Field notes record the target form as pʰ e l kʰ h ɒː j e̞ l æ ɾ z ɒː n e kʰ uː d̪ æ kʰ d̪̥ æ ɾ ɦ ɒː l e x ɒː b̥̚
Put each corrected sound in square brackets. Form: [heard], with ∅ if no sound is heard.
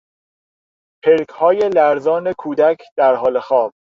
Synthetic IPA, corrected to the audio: pʰ e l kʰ h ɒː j e̞ l æ ɾ z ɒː n e kʰ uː d̪ æ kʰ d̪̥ æ ɾ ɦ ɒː l e x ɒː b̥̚